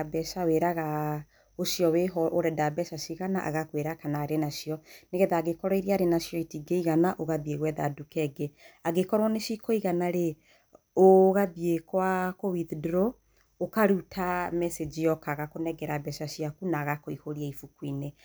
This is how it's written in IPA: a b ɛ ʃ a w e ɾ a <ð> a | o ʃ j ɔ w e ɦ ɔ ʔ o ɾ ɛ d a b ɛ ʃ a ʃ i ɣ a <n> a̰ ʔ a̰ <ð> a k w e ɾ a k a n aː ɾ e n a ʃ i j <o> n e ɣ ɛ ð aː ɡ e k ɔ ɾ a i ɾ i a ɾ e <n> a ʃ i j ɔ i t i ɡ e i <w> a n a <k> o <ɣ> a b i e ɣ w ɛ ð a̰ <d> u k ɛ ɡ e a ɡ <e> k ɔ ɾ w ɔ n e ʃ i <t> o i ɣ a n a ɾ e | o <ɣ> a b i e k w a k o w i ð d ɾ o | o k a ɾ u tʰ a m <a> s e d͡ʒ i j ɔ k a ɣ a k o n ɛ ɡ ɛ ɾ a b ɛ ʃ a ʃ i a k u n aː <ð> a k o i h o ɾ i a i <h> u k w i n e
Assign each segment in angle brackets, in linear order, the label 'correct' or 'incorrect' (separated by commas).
incorrect, correct, incorrect, incorrect, correct, incorrect, incorrect, correct, correct, correct, incorrect, correct, incorrect, incorrect, incorrect